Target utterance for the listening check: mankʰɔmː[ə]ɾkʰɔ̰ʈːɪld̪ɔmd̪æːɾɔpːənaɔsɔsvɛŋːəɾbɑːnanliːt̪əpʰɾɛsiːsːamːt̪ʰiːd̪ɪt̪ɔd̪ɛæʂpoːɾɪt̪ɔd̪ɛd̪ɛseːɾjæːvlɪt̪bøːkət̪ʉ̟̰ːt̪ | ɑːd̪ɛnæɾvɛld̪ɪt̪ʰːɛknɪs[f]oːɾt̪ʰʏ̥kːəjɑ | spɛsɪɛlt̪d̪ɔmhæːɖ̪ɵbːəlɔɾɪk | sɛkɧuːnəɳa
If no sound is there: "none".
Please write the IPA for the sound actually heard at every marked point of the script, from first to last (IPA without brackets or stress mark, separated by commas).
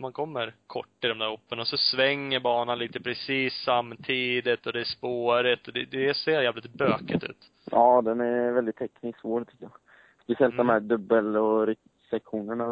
ə, v